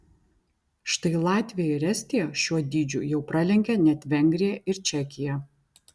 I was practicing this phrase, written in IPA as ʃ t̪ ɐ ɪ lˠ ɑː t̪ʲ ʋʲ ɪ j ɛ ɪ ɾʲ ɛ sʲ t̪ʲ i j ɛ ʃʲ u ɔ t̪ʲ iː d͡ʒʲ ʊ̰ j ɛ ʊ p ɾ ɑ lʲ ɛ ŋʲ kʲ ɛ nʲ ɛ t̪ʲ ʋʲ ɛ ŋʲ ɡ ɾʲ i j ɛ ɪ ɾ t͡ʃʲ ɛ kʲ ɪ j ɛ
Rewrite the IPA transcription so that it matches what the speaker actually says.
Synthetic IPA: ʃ t̪ ɐ ɪ lˠ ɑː t̪ʲ ʋʲ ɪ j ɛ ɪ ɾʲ ɛ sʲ t̪ʲ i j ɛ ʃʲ u ɔ d̪ʲ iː d͡ʒʲ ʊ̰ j ɛ ʊ p ɾ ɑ lʲ ɛ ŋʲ kʲ ɛ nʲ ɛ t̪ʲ ʋʲ ɛ ŋʲ ɡ ɾʲ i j ɛ ɪ ɾ t͡ʃʲ ɛ kʲ ɪ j ɛ